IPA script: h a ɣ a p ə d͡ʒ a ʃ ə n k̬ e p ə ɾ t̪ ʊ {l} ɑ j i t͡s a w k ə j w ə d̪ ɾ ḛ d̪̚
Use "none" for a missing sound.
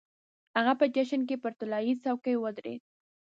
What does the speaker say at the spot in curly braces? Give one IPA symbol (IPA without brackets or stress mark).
l